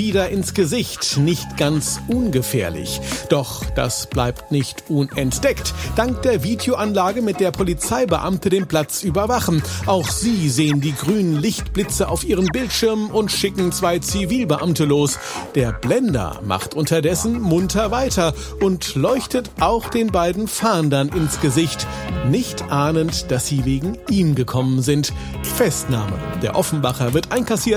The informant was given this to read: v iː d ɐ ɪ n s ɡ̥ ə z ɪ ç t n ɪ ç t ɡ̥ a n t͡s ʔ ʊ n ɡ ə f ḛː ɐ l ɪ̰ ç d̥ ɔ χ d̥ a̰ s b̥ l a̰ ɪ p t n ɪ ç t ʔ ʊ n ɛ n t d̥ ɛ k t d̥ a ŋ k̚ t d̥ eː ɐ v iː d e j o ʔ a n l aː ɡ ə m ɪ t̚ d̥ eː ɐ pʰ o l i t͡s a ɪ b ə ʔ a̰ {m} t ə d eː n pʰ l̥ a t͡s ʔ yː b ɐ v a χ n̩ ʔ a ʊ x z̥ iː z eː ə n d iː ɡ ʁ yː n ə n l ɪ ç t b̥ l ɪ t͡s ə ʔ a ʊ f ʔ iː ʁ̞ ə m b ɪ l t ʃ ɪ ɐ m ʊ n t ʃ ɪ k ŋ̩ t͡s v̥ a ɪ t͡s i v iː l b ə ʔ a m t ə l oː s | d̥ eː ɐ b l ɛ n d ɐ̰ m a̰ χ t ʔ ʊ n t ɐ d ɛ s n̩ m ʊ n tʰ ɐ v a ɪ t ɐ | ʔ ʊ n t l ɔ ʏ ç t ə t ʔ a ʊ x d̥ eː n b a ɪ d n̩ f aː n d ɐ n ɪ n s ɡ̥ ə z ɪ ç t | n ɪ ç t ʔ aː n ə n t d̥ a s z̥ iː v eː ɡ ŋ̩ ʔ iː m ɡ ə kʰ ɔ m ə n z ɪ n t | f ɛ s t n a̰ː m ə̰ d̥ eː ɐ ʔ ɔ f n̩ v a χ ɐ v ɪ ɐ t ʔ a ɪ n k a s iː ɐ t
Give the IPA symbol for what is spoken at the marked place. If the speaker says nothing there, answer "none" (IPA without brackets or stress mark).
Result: m